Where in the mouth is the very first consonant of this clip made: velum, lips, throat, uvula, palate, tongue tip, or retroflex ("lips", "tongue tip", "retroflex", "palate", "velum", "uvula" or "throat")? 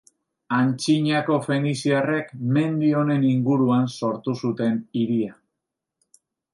tongue tip